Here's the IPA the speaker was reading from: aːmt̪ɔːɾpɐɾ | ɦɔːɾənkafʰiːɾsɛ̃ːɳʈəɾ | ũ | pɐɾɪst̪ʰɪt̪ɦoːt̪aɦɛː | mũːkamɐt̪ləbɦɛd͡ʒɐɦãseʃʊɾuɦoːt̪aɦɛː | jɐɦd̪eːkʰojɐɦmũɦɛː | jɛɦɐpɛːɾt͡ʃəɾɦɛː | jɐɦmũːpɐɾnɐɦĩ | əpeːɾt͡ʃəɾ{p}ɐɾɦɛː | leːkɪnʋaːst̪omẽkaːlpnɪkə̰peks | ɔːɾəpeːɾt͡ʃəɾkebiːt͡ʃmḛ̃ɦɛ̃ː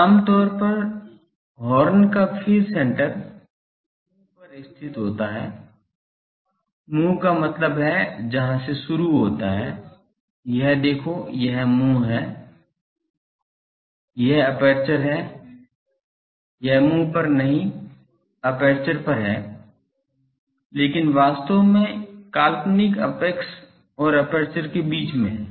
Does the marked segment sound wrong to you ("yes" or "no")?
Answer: no